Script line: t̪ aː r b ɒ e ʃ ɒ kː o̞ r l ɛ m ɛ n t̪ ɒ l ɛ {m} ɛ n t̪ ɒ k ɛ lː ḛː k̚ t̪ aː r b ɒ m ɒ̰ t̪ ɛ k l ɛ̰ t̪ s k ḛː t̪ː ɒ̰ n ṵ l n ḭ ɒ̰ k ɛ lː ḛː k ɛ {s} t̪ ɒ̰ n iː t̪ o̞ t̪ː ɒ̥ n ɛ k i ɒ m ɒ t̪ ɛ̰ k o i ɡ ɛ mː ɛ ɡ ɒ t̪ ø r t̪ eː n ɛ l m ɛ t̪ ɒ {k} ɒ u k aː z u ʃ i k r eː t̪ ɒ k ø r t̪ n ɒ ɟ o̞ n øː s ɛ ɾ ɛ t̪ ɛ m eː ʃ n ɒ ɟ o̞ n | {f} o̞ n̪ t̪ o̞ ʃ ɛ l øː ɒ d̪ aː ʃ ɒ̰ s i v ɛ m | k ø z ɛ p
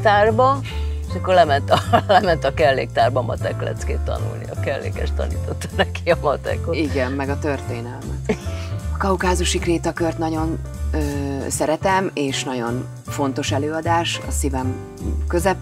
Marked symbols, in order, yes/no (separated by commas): yes, no, yes, yes